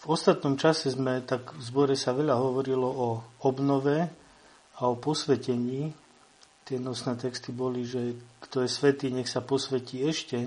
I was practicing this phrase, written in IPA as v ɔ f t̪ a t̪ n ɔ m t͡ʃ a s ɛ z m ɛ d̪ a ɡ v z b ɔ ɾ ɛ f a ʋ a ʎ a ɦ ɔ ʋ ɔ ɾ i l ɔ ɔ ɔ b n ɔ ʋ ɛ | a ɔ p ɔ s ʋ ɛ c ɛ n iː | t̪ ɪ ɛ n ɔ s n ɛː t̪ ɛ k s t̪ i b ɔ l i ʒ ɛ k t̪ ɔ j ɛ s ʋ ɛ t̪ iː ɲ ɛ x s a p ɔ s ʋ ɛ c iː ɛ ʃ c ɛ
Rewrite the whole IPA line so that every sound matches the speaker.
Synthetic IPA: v ɔ s t̪ a t̪ n ɔ m t͡ʃ a s ɛ z m ɛ t̪ a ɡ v z b ɔ ɾ ɛ s a ʋ ɛ ʎ a ɦ ɔ ʋ ɔ ɾ i l ɔ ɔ ɔ b n ɔ ʋ ɛ | a ɔ p ɔ s ʋ ɛ c ɛ ɲ iː | t̪ ɪ ɛ n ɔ s n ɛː t̪ ɛ k s t̪ i b ɔ l i ʒ ɛ k t̪ ɔ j ɛ s ʋ ɛ t̪ iː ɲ ɛ x s a p ɔ s ʋ ɛ c iː ɛ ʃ c ɛ